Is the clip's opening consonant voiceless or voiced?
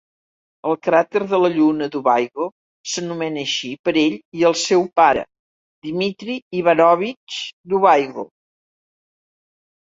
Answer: voiced